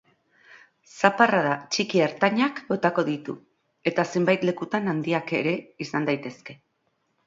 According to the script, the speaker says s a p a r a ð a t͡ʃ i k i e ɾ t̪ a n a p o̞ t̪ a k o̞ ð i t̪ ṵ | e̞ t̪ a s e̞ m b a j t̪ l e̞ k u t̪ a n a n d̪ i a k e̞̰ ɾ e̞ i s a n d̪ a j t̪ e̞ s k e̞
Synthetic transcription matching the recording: s a p a r a ð a t͡ʃ i k i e ɾ t̪ a ɲ a k o̞ t̪ a k o̞ ð i t̪ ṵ | e̞ t̪ a s e̞ m b a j t̪ l e̞ k u t̪ a n a n d̪ i a k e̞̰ ɾ e̞ i s a n d̪ a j t̪ e̞ s k e̞

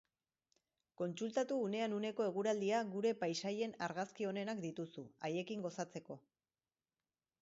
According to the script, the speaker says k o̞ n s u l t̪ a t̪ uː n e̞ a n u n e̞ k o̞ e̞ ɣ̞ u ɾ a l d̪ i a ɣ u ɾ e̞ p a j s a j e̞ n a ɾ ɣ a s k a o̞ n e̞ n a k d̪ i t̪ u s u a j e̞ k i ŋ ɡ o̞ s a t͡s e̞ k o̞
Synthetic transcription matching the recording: k o̞ n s u l t̪ a t̪ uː n e̞ a n u n e̞ k o̞ e̞ ɣ̞ u ɾ a l d̪ i a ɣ u ɾ e̞ p a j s a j e̞ n a ɾ ɣ a s k i o̞ n e̞ n a k d̪ i t̪ u s u a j e̞ k i ŋ ɡ o̞ s a t͡s e̞ k o̞

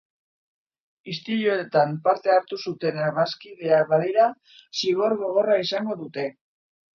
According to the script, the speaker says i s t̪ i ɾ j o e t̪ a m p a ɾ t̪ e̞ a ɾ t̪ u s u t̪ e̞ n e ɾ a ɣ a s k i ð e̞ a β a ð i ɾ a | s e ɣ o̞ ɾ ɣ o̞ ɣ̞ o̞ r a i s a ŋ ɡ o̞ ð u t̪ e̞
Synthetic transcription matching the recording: i s t̪ i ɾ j o e t̪ a m p a ɾ t̪ e̞ a ɾ t̪ u s u t̪ e̞ n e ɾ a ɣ a s k i ð e̞ a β a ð i ɾ a | s i ɣ o̞ ɾ ɣ o̞ ɣ̞ o̞ r a i s a ŋ ɡ o̞ ð u t̪ e̞

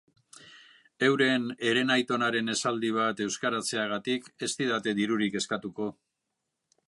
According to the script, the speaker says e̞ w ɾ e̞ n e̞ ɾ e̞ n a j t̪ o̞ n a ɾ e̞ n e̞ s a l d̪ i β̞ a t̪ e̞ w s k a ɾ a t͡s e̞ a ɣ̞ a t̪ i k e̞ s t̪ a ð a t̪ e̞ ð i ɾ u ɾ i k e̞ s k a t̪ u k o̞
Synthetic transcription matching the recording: e̞ w ɾ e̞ n e̞ ɾ e̞ n a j t̪ o̞ n a ɾ e̞ n e̞ s a l d̪ i β̞ a t̪ e̞ w s k a ɾ a t͡s e̞ a ɣ̞ a t̪ i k e̞ s t̪ i ð a t̪ e̞ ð i ɾ u ɾ i k e̞ s k a t̪ u k o̞

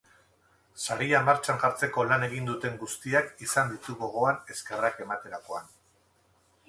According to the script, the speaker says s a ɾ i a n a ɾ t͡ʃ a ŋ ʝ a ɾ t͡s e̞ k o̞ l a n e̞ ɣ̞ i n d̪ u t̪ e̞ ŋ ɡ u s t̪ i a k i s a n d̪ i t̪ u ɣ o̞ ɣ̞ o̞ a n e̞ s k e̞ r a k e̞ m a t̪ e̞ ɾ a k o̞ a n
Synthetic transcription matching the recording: s a ɾ i a m a ɾ t͡ʃ a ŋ ʝ a ɾ t͡s e̞ k o̞ l a n e̞ ɣ̞ i n d̪ u t̪ e̞ ŋ ɡ u s t̪ i a k i s a n d̪ i t̪ u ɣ o̞ ɣ̞ o̞ a n e̞ s k e̞ r a k e̞ m a t̪ e̞ ɾ a k o̞ a n

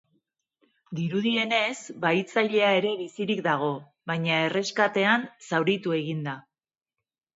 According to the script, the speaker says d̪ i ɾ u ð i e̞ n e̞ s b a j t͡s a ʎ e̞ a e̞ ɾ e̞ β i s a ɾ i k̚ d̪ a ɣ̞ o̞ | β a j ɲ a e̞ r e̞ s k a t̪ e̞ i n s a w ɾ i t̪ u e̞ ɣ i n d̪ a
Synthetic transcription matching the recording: d̪ i ɾ u ð i e̞ n e̞ s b a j t͡s a ʎ e̞ a e̞ ɾ e̞ β i s i ɾ i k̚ d̪ a ɣ̞ o̞ | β a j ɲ a e̞ r e̞ s k a t̪ e̞ a n s a w ɾ i t̪ u e̞ ɣ i n d̪ a

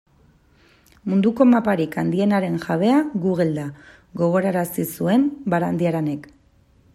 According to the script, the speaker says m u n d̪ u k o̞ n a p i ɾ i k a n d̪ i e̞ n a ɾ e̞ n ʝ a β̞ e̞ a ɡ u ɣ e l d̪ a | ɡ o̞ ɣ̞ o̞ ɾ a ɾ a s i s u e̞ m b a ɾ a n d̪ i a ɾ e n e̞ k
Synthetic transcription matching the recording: m u n d̪ u k o̞ m a p a ɾ i k a n d̪ i e̞ n a ɾ e̞ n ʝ a β̞ e̞ a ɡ u ɣ e l d̪ a | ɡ o̞ ɣ̞ o̞ ɾ a ɾ a s i s u e̞ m b a ɾ a n d̪ i a ɾ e n e̞ k

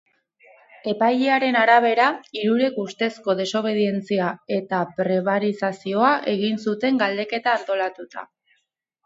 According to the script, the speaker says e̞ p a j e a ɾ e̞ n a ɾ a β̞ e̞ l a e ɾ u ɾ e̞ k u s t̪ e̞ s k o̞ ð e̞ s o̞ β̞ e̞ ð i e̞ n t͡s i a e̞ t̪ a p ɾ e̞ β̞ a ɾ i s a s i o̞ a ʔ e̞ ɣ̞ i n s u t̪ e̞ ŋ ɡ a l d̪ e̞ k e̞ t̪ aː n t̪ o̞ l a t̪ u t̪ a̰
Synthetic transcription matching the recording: e̞ p a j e a ɾ e̞ n a ɾ a β̞ e̞ ɾ a i ɾ u ɾ e̞ k u s t̪ e̞ s k o̞ ð e̞ s o̞ β̞ e̞ ð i e̞ n t͡s i a e̞ t̪ a p ɾ e̞ β̞ a ɾ i s a s i o̞ a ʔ e̞ ɣ̞ i n s u t̪ e̞ ŋ ɡ a l d̪ e̞ k e̞ t̪ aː n t̪ o̞ l a t̪ u t̪ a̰

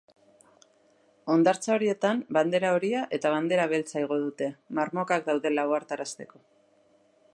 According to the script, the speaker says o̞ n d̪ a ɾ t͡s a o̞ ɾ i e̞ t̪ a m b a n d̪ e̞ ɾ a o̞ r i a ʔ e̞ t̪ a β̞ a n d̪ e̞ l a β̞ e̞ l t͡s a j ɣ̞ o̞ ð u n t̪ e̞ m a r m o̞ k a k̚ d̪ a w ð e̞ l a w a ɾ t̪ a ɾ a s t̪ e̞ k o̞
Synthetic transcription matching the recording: o̞ n d̪ a ɾ t͡s a o̞ ɾ i e̞ t̪ a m b a n d̪ e̞ ɾ a o̞ ɾ i a ʔ e̞ t̪ a β̞ a n d̪ e̞ ɾ a β̞ e̞ l t͡s a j ɣ̞ o̞ ð u t̪ e̞ m a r m o̞ k a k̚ d̪ a w ð e̞ l a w a ɾ t̪ a ɾ a s t̪ e̞ k o̞

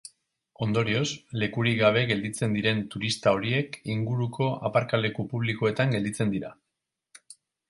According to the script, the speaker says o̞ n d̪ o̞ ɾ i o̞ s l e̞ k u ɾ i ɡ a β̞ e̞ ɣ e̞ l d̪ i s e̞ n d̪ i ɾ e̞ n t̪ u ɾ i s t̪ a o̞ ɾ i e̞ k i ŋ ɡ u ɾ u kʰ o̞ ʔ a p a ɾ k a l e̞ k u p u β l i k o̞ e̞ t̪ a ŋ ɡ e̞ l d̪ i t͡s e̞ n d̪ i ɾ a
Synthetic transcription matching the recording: o̞ n d̪ o̞ ɾ i o̞ s l e̞ k u ɾ i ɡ a β̞ e̞ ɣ e̞ l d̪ i t͡s e̞ n d̪ i ɾ e̞ n t̪ u ɾ i s t̪ a o̞ ɾ i e̞ k i ŋ ɡ u ɾ u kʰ o̞ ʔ a p a ɾ k a l e̞ k u p u β l i k o̞ e̞ t̪ a ŋ ɡ e̞ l d̪ i t͡s e̞ n d̪ i ɾ a

